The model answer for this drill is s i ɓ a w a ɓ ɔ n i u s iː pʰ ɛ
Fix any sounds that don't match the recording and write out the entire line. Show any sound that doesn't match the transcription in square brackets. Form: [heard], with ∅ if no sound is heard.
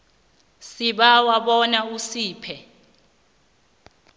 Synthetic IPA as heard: s i ɓ a w a ɓ ɔ n [a] u s iː pʰ ɛ